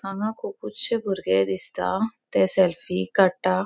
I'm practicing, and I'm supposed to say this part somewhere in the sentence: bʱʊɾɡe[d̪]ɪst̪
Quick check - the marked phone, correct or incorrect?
correct